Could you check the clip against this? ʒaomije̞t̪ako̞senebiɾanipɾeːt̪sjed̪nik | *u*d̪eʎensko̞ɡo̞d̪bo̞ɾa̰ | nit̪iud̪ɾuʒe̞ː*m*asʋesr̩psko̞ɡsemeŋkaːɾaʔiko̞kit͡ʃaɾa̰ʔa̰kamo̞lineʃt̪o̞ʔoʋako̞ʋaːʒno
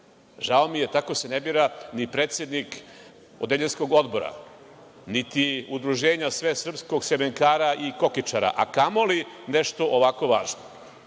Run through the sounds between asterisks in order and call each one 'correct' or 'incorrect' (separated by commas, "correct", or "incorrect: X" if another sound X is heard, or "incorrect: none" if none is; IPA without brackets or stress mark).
incorrect: o, incorrect: ɲ